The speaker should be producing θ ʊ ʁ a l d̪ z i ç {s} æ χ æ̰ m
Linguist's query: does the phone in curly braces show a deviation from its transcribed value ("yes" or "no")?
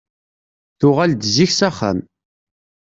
no